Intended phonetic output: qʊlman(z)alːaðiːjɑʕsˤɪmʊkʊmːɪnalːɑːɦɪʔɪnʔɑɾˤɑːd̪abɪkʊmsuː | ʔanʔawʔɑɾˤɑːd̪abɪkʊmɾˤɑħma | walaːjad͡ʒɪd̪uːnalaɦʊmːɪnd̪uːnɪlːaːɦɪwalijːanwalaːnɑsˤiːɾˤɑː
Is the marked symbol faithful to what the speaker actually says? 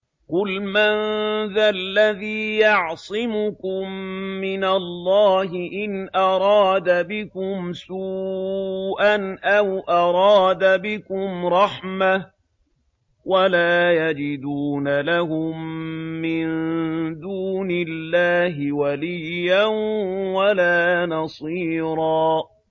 no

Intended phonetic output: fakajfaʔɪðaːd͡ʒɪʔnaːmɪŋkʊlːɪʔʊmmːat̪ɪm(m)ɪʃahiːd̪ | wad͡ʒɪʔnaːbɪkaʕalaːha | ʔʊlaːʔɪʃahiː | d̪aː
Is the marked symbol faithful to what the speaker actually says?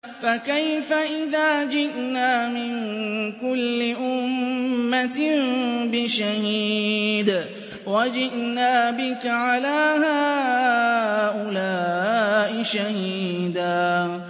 no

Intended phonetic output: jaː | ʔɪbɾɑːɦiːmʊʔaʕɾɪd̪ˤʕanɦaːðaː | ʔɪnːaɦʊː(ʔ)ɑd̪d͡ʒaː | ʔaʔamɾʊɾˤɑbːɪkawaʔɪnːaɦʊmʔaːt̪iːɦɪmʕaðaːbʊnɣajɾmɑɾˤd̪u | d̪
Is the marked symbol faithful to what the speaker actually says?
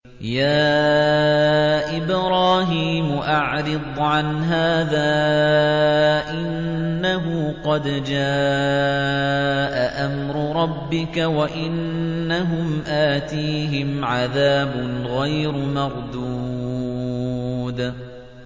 no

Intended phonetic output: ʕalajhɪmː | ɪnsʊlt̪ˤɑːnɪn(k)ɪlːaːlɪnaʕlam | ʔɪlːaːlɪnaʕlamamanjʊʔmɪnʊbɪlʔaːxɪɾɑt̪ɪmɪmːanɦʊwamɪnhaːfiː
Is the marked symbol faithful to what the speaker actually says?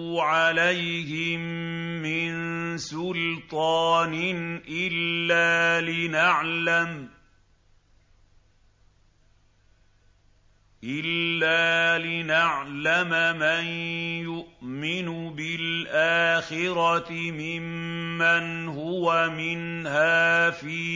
no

